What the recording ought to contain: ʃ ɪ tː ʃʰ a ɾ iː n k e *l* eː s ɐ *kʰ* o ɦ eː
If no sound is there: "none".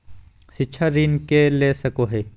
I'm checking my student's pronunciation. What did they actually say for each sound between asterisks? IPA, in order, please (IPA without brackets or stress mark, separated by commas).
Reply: l, k